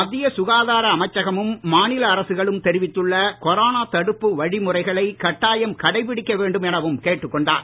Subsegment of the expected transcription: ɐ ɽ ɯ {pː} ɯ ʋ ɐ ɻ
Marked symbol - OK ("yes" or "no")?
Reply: yes